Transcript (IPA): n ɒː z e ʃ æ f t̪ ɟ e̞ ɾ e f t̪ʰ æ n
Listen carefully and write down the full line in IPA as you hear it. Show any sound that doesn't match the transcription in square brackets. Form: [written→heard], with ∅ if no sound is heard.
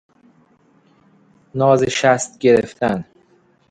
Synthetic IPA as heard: n ɒː z e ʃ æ [f→s] t̪ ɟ e̞ ɾ e f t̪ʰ æ n

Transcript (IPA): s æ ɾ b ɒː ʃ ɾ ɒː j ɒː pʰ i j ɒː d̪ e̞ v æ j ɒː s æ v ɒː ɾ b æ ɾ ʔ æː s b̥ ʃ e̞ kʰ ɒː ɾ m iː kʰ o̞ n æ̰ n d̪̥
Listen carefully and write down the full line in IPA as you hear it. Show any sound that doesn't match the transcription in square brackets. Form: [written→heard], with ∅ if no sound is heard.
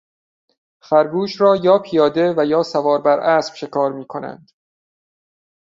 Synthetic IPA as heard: [s→f] æ ɾ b [ɒː→uː] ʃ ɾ ɒː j ɒː pʰ i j ɒː d̪ e̞ v æ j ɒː s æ v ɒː ɾ b æ ɾ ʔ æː s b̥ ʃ e̞ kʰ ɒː ɾ m iː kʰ o̞ n æ̰ n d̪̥

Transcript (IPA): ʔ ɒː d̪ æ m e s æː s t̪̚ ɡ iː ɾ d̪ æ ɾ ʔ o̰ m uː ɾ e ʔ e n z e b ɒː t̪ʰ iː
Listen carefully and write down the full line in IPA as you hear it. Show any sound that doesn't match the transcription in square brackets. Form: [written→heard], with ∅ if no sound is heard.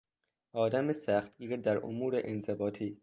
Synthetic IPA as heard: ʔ ɒː d̪ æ m e s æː [s→x] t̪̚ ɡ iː ɾ d̪ æ ɾ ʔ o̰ m uː ɾ e ʔ e n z e b ɒː t̪ʰ iː

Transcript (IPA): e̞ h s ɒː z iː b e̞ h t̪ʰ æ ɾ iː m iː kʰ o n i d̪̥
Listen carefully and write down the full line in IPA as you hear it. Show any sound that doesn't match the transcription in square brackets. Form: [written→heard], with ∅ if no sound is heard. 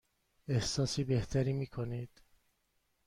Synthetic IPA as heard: e̞ h s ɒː [z→s] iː b e̞ h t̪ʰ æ ɾ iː m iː kʰ o n i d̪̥

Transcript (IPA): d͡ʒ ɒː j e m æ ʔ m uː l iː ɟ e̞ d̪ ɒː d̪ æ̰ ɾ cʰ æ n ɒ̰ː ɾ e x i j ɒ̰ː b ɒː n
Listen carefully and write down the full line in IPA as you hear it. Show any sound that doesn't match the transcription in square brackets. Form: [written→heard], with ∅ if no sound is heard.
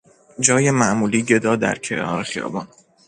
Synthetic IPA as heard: d͡ʒ ɒː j e m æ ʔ m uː l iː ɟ e̞ d̪ ɒː d̪ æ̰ ɾ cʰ [æ→e] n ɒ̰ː ɾ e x i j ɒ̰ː b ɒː n

